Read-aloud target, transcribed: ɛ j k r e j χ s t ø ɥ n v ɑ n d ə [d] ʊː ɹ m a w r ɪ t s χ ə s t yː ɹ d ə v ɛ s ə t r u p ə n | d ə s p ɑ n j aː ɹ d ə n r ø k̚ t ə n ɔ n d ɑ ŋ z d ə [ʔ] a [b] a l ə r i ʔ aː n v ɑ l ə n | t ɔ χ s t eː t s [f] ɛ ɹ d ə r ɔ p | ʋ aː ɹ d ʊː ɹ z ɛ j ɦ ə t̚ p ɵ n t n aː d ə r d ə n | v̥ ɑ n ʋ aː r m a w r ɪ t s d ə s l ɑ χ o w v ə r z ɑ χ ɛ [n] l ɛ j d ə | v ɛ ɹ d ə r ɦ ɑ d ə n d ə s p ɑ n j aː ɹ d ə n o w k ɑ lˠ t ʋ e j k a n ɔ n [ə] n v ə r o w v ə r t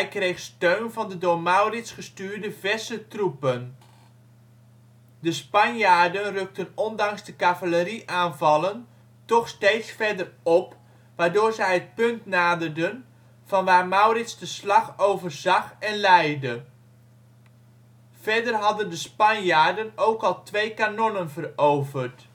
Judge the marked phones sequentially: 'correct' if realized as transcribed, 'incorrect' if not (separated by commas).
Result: correct, incorrect, incorrect, correct, correct, correct